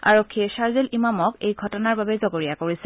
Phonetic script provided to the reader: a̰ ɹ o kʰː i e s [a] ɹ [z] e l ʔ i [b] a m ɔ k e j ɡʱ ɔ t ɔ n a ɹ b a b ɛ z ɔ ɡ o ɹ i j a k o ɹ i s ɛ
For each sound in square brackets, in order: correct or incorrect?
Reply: correct, correct, incorrect

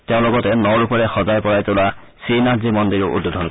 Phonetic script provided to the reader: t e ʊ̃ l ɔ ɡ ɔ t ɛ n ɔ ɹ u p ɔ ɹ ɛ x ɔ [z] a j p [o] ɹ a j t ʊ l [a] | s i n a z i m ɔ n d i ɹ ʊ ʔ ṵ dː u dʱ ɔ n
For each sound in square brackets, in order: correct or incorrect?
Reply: correct, incorrect, correct

